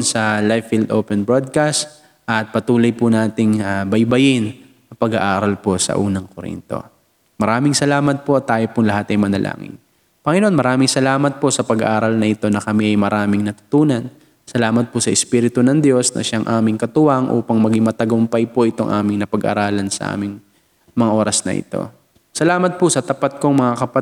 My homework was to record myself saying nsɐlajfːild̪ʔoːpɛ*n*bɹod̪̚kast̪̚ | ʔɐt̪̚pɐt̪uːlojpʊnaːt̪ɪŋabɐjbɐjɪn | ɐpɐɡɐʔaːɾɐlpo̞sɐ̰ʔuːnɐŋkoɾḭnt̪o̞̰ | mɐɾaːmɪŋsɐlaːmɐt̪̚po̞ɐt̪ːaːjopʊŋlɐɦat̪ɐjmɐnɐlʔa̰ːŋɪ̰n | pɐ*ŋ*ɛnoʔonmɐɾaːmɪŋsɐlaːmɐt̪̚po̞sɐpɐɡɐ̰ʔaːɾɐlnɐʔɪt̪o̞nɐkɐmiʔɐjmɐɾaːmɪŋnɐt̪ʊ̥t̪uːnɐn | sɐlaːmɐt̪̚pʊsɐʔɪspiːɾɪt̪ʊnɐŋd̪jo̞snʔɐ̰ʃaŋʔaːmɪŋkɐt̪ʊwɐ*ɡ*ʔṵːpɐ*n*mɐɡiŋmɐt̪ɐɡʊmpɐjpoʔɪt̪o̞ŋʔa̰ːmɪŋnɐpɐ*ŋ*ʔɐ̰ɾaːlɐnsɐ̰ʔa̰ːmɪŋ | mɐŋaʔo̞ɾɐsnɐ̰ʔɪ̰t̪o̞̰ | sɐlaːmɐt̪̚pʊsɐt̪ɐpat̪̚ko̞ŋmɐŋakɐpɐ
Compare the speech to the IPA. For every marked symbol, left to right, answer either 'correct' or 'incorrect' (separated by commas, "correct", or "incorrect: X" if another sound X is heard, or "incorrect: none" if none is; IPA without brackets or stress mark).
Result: correct, correct, incorrect: ŋ, incorrect: ŋ, incorrect: ɡ